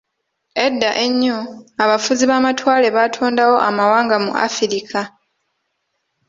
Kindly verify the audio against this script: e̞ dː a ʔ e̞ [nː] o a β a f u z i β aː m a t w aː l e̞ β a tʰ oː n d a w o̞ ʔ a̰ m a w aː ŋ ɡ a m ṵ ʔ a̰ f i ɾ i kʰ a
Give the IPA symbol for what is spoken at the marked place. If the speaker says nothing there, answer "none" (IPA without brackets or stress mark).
ɲː